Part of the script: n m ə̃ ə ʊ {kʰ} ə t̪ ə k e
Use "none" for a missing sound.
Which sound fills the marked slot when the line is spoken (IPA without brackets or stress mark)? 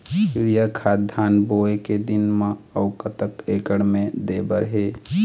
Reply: k